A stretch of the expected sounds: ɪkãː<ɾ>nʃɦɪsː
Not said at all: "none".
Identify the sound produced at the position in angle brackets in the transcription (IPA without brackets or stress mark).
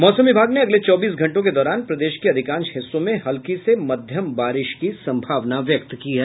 none